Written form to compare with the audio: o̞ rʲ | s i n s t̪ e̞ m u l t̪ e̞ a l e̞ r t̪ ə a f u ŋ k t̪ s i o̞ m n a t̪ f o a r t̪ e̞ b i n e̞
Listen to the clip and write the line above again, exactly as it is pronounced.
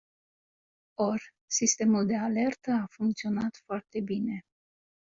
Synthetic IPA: o̞ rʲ | s i s t̪ e̞ m u l d̪ e̞ a l e̞ r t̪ ə a f u ŋ k t̪ s i o̞ n a t̪ f o a r t̪ e̞ b i n e̞